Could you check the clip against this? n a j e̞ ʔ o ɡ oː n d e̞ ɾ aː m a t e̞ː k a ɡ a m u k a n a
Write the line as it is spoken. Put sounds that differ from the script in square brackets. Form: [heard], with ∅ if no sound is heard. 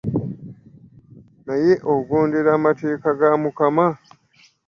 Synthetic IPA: n a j e̞ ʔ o ɡ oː n d e̞ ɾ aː m a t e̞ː k a ɡ a m u k a [m] a